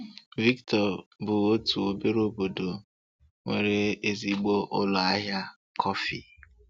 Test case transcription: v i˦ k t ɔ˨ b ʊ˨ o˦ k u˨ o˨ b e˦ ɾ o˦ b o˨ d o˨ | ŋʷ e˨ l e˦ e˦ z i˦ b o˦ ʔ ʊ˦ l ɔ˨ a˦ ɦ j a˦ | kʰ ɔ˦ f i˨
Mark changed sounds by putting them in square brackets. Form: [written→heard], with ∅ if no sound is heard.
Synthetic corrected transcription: v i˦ k t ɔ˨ b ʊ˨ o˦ [k→t] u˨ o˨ b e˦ ɾ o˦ b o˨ d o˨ | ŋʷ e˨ [l→ɾ] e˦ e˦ z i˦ [b→ɡ͡b] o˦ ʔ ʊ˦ l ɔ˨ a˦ ɦ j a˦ | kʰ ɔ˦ f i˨